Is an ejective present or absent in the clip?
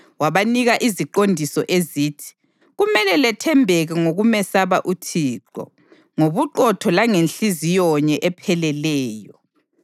absent